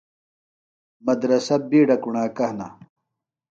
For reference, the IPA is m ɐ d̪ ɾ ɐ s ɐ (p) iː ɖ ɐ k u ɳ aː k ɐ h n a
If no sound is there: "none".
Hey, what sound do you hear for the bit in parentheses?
b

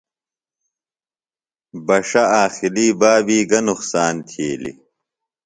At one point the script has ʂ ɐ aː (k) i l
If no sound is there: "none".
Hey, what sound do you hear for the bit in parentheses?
x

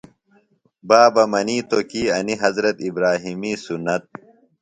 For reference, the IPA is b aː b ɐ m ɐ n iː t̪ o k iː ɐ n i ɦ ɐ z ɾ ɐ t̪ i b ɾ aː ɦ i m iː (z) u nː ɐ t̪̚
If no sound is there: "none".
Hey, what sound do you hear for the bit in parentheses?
s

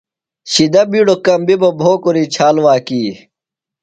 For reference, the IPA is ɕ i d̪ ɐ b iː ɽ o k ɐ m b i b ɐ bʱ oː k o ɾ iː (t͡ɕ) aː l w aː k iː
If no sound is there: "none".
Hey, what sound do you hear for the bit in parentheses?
t͡ɕʰ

